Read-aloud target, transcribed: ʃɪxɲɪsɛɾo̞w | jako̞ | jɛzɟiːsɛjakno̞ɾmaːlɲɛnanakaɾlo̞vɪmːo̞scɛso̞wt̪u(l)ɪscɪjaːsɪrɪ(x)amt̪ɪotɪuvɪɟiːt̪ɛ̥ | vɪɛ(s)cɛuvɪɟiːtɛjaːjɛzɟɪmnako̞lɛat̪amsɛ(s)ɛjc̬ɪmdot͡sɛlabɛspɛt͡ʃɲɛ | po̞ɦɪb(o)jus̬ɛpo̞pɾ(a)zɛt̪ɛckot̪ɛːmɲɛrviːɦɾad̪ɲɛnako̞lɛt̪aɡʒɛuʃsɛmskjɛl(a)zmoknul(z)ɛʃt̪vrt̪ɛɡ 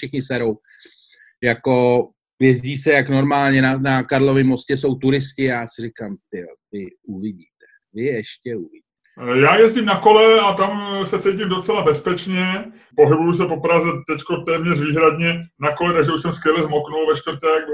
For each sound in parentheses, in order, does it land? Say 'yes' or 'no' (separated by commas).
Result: no, no, no, no, no, yes, no, no